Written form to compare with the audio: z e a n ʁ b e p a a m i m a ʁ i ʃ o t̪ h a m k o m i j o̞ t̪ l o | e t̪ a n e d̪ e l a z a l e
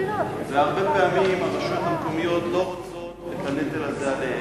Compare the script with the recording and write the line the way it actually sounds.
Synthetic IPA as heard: v e a ʁ b e p e a m i m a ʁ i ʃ o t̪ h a m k o m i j o̞ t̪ l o | e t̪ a n e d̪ e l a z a l e